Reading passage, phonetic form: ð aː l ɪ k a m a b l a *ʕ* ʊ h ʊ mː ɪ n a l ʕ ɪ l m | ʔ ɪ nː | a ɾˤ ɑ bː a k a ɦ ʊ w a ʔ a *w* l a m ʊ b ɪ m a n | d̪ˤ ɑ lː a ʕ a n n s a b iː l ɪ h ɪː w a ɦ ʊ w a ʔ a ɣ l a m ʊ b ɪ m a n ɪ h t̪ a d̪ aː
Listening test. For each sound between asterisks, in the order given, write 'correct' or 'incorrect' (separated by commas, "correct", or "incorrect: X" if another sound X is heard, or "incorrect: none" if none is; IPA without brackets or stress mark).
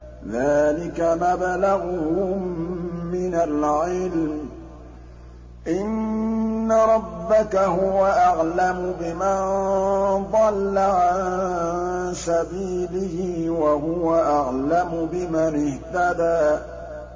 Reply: incorrect: ɣ, incorrect: ɣ